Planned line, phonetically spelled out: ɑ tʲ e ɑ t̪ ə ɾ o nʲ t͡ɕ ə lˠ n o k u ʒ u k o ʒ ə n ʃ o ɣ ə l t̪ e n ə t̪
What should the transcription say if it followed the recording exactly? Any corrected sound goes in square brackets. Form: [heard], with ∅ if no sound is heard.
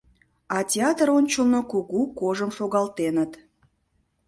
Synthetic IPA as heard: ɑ tʲ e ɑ t̪ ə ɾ o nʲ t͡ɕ ə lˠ n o k u [ɣ] u k o ʒ ə [m] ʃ o ɣ [ɑ] l t̪ e n ə t̪